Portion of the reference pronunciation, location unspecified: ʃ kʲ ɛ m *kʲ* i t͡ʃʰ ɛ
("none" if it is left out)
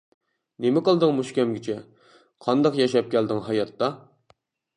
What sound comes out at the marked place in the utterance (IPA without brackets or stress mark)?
ɡʲ